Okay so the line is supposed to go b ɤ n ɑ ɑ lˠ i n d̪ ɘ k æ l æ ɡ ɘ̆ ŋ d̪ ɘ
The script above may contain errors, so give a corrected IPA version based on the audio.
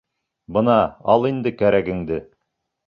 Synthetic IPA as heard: b ɤ n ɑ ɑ lˠ i n d̪ ɘ k æ ɾ æ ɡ ɘ̆ ŋ d̪ ɘ